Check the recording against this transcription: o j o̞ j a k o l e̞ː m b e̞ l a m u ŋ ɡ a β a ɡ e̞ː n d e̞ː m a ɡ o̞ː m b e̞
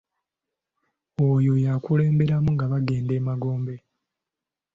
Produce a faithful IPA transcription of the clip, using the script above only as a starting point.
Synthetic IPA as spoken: o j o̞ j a k u l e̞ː m b e̞ ɾ a m u ŋ ɡ a β a ɡ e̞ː n d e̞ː m a ɡ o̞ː m b e̞